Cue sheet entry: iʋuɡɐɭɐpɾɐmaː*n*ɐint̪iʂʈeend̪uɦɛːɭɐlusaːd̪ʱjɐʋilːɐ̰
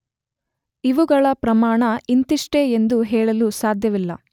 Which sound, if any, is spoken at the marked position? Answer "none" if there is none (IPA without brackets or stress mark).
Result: ɳ